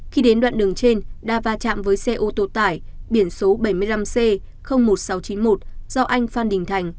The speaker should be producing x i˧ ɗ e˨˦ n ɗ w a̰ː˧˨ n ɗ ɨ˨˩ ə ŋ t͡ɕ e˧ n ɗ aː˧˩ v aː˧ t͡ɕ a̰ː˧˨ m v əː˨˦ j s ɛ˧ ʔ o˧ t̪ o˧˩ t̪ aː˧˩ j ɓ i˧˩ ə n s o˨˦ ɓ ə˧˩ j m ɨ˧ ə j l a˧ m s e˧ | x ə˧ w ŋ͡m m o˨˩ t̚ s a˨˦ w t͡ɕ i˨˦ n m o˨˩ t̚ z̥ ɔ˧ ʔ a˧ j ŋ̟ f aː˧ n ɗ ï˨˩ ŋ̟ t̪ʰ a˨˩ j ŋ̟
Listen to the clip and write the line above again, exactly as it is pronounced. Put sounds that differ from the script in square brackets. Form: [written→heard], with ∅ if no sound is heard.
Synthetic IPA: x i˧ ɗ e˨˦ n ɗ w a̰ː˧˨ n ɗ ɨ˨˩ ə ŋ t͡ɕ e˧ n ɗ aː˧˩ v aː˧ t͡ɕ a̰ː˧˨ m v əː˨˦ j s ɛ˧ ʔ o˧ t̪ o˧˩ t̪ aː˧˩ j ɓ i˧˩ ə n s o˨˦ ɓ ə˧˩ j m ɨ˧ ə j l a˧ m s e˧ | x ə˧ w ŋ͡m m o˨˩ t̚ s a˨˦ w t͡ɕ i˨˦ n m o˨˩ t̚ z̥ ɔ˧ ʔ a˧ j ŋ̟ f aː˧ n ɗ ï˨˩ ŋ̟ t̪ʰ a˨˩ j ŋ̟